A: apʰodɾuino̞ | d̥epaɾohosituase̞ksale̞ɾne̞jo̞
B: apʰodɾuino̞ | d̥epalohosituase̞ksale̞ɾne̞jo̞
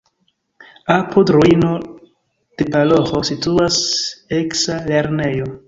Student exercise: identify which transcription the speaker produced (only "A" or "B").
B